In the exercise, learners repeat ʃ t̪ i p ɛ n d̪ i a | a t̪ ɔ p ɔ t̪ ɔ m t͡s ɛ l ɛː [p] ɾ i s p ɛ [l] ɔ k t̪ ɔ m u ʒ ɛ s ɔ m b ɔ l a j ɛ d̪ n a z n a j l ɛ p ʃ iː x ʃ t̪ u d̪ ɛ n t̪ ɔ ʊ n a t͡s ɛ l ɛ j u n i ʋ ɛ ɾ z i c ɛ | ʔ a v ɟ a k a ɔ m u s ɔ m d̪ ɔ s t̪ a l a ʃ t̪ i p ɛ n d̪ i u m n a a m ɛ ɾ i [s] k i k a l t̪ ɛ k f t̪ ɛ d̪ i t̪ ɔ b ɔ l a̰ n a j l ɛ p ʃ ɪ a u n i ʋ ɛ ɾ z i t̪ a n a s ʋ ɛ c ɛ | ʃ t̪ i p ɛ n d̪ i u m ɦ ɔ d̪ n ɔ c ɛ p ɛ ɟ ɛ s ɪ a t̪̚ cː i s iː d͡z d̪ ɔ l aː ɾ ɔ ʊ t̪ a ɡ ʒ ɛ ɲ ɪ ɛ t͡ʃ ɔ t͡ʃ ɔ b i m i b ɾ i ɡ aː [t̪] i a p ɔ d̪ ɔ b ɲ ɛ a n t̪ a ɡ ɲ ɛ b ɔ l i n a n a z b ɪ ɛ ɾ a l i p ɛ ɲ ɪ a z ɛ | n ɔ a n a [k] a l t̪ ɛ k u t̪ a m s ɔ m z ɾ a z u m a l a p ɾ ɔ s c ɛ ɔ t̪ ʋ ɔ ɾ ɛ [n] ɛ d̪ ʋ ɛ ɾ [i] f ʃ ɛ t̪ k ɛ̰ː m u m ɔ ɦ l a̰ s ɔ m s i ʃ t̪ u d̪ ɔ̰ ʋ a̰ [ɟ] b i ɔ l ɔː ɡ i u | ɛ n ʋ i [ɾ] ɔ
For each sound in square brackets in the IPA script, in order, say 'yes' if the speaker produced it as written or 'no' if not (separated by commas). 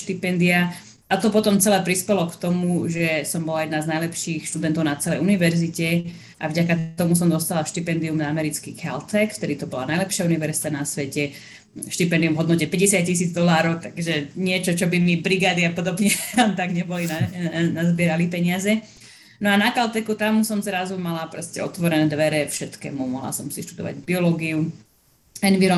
yes, yes, no, no, yes, yes, no, yes, yes